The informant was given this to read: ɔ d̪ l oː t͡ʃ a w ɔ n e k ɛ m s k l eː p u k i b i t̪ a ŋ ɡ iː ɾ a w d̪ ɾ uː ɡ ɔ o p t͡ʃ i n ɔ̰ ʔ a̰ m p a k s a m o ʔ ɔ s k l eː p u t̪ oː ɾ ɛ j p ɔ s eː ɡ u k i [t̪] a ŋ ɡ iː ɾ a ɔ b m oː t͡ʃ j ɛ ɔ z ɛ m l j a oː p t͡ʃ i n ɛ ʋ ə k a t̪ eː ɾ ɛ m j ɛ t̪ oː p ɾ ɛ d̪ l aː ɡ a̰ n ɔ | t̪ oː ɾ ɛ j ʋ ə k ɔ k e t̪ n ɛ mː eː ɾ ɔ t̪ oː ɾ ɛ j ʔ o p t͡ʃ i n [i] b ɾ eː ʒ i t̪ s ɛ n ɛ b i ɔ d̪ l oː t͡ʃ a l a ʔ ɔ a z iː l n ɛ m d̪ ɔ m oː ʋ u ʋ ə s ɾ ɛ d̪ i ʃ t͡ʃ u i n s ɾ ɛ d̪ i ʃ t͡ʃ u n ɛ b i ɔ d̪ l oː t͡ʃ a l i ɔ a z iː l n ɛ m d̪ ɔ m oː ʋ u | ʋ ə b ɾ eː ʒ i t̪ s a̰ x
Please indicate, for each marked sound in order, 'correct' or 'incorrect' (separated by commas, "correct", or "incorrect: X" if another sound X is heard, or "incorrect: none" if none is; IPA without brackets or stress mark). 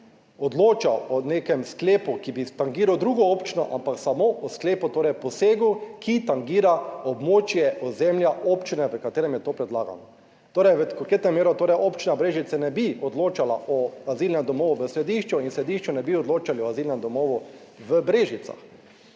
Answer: correct, incorrect: a